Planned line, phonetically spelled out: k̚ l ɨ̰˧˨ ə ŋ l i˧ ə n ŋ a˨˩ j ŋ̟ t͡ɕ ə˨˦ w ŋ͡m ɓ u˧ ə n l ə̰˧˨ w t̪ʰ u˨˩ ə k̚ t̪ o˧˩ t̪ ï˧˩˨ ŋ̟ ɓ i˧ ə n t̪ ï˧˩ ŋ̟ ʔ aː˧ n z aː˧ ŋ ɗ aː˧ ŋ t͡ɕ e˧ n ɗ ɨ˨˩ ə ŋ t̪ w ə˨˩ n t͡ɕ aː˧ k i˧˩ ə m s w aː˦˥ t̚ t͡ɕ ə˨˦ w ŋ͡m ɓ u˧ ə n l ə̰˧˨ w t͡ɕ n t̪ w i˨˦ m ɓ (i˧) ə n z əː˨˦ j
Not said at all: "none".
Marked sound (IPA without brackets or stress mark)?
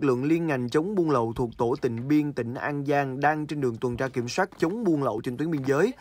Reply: i˧